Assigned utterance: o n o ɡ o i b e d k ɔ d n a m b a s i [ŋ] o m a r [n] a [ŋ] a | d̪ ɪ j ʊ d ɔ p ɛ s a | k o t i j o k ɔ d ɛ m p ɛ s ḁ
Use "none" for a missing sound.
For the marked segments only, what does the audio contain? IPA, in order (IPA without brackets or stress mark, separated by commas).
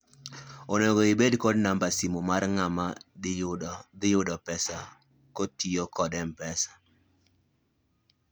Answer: m, ŋ, m